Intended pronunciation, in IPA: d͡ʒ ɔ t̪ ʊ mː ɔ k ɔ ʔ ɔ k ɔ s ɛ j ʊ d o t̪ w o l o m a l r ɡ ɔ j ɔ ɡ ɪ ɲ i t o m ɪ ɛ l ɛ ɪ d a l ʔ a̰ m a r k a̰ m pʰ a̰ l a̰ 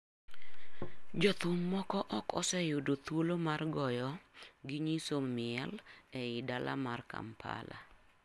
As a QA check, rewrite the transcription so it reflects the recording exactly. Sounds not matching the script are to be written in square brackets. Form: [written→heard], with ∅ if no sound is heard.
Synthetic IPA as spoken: d͡ʒ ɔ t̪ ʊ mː ɔ k ɔ ʔ ɔ k ɔ s ɛ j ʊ d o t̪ w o l o m a [l→∅] r ɡ ɔ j ɔ ɡ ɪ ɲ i [t→s] o m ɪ ɛ l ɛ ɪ d a l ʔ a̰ m a r k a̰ m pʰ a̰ l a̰